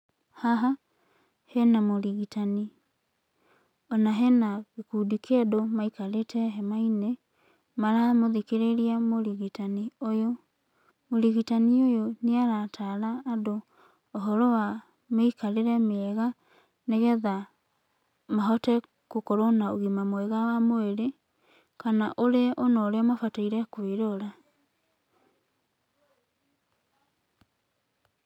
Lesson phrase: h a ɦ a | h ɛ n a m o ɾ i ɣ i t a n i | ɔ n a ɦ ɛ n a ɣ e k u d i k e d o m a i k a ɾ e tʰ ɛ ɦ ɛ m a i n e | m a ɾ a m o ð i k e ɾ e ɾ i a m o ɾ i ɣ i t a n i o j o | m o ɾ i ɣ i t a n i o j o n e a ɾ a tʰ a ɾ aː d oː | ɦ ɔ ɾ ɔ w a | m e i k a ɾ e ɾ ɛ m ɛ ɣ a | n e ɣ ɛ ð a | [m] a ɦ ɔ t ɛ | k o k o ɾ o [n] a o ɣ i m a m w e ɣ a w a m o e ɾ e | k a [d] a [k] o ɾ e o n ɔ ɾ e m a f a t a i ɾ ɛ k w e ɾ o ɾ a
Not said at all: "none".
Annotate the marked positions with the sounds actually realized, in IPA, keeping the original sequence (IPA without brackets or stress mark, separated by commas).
m, n, n, ʔ